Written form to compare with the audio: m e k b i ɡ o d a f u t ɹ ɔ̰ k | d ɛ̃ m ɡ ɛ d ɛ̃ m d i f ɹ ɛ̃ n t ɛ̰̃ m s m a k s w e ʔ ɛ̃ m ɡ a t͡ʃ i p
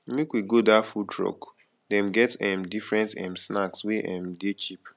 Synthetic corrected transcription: m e k w i ɡ o d a f u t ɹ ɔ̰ k | d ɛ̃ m ɡ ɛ t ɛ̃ m d i f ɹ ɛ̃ n t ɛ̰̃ m s n a k s w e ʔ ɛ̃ m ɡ e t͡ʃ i p